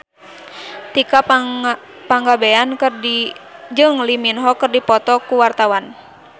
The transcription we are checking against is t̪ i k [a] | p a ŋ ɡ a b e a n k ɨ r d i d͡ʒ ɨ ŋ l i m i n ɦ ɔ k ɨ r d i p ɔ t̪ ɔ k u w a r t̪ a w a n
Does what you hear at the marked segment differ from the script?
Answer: no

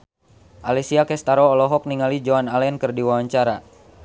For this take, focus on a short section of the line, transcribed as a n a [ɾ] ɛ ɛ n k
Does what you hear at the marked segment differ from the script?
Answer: yes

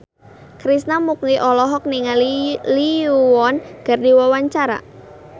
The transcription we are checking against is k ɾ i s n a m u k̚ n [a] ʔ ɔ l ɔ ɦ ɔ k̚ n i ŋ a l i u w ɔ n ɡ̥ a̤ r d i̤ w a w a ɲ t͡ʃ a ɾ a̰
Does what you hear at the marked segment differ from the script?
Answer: yes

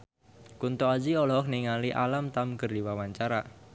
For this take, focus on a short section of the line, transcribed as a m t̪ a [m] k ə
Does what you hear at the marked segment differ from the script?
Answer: no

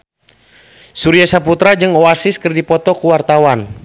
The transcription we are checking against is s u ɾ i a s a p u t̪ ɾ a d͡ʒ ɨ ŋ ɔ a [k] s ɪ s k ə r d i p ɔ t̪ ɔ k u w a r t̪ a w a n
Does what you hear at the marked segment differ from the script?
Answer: yes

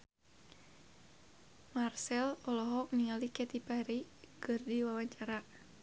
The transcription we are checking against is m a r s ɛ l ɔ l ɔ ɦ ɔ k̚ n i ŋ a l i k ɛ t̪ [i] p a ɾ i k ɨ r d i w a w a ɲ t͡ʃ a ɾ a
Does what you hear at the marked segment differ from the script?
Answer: no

